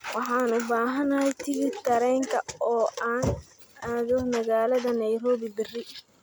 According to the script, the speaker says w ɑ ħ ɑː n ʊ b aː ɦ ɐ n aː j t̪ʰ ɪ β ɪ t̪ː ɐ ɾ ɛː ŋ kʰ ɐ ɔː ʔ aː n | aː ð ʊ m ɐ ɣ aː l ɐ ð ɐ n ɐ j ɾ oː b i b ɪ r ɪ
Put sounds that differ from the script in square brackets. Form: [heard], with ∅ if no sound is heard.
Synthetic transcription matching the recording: w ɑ ħ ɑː n ʊ b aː ɦ ɐ n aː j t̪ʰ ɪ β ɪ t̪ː ɐ ɾ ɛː ŋ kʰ ɐ ɔː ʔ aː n | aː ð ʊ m ɐ ɣ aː l ɐ ð ɐ n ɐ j ɾ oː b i b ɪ r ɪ